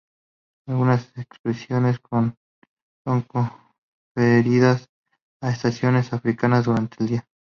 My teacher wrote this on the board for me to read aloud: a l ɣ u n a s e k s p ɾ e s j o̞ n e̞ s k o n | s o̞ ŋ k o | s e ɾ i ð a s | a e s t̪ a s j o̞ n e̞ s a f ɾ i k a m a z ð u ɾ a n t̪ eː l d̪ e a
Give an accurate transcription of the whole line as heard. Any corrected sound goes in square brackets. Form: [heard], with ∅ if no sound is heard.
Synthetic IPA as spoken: a l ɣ u n a s e k s p ɾ e s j o̞ n e̞ s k o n | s o̞ ŋ k o | [f] e ɾ i ð a s | a e s t̪ a s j o̞ n e̞ s a f ɾ i k a [n] a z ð u ɾ a n t̪ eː l d̪ [i] a